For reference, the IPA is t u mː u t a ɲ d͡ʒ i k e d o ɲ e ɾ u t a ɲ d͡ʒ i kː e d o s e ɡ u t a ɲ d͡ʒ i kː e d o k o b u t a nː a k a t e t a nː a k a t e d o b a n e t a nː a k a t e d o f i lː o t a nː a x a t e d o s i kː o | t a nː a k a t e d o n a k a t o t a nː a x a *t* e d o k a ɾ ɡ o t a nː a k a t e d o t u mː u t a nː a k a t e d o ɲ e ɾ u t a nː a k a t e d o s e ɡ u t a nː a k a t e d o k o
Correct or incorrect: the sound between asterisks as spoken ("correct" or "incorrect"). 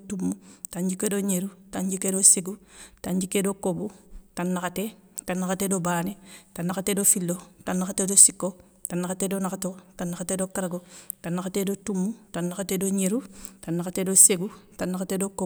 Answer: correct